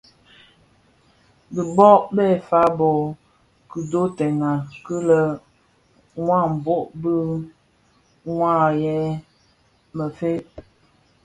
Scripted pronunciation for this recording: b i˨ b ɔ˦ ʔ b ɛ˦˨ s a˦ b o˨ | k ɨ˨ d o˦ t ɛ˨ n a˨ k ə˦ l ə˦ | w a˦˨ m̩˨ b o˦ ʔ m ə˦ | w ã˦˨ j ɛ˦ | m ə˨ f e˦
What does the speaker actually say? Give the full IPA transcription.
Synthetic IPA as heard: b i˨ b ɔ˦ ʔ b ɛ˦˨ f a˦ b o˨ | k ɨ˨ d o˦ t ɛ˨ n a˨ k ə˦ l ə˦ | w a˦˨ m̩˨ b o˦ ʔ b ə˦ | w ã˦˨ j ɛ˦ | m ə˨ f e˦